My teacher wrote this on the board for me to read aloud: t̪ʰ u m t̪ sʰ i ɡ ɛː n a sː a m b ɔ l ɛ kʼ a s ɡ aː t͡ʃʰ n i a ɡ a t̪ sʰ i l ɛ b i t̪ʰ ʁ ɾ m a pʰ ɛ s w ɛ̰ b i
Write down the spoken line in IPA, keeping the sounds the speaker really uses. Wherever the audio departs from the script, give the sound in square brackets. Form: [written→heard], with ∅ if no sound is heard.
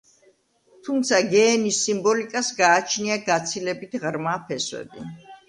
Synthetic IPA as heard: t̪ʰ u m t̪ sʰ [i→a] ɡ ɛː n [a→i] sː [a→i] m b ɔ l [ɛ→i] kʼ a s ɡ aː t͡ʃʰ n i a ɡ a t̪ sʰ i l ɛ b i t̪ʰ ʁ ɾ m a pʰ ɛ s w ɛ̰ b i